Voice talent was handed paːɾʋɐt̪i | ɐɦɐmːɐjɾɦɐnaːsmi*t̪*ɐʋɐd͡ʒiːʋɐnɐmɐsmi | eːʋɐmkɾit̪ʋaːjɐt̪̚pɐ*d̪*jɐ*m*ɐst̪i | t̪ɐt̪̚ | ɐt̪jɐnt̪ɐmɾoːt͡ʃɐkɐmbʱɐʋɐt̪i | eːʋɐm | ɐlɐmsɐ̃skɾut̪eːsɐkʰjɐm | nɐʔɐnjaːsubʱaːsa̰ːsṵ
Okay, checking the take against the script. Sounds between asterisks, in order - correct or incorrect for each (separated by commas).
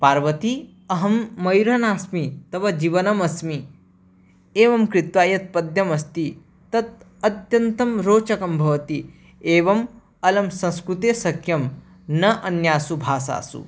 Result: correct, correct, correct